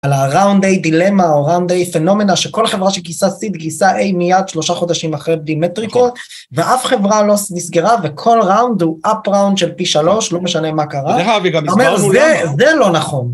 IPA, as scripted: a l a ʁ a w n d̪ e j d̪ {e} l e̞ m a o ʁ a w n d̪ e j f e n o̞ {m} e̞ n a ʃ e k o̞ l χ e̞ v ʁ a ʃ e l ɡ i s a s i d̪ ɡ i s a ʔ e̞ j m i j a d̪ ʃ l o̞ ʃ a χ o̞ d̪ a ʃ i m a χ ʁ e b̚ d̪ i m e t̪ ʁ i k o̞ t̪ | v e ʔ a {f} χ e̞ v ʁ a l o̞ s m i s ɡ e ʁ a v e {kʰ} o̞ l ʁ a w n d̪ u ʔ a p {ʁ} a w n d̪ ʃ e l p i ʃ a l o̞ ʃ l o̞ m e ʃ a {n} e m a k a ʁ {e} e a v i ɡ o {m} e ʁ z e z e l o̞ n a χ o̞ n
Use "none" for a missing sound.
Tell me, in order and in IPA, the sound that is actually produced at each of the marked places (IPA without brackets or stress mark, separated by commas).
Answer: i, m, f, kʰ, ʁ, n, a, m